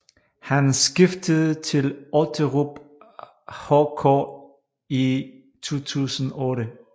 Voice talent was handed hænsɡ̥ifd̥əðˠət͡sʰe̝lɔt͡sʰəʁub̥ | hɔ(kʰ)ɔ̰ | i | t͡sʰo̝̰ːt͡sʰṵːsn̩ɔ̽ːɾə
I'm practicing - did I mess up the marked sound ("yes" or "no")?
no